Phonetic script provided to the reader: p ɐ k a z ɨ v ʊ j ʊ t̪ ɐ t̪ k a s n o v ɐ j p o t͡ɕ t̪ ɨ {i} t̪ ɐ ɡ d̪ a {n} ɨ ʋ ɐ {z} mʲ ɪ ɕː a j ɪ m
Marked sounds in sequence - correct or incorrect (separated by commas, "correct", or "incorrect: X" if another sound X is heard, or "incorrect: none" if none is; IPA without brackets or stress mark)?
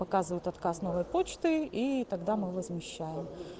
correct, incorrect: m, correct